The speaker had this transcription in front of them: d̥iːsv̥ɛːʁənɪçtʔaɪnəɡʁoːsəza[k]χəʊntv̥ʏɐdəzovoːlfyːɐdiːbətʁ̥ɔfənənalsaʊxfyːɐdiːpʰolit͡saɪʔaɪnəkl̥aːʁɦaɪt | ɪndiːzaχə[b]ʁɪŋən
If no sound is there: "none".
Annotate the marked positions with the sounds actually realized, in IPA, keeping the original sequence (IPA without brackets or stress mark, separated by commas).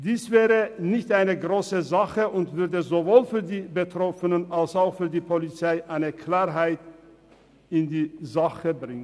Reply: none, b